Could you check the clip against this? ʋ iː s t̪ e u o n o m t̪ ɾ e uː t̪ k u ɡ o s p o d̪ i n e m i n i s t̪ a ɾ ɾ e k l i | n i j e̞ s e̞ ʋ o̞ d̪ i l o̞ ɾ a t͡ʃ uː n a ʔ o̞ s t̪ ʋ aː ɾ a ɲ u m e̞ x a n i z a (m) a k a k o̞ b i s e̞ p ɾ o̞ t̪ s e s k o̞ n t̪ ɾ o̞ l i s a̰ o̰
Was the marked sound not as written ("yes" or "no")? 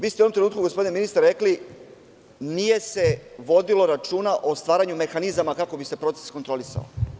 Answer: no